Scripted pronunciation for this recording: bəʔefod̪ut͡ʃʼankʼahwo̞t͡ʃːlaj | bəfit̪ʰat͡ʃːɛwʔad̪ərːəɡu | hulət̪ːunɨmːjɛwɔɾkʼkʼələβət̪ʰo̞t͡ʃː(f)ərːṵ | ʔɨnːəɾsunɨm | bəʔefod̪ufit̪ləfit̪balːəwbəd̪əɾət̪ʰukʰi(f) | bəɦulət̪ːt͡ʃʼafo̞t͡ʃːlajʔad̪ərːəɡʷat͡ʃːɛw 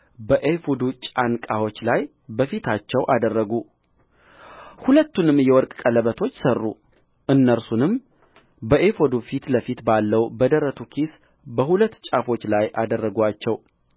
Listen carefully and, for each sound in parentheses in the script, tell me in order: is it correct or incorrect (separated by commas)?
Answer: incorrect, incorrect